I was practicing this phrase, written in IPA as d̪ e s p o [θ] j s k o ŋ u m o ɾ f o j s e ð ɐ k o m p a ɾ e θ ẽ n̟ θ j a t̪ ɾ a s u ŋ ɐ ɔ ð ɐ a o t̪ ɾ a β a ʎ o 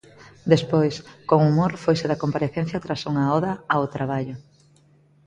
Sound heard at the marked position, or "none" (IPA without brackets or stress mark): none